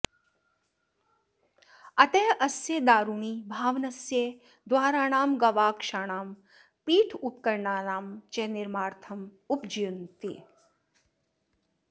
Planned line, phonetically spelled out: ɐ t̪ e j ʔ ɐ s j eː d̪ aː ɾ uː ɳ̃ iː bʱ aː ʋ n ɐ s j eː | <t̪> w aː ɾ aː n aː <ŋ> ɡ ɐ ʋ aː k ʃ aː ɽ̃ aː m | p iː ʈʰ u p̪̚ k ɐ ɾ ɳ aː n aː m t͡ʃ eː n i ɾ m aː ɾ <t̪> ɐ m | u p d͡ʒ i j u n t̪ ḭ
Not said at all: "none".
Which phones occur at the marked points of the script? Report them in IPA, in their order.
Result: d̪, m, t̪ʰ

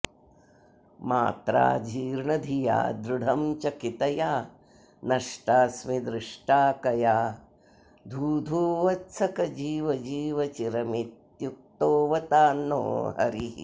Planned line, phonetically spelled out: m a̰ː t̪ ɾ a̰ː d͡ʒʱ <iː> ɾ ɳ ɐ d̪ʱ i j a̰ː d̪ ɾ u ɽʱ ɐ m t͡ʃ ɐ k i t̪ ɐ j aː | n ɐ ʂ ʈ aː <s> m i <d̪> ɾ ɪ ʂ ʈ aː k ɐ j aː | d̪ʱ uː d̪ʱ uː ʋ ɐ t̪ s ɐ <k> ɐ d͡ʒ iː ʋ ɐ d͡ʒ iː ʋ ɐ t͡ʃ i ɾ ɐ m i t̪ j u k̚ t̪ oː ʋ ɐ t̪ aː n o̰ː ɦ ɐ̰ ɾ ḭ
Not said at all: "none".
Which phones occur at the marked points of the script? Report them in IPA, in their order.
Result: iː, s, d̪, k

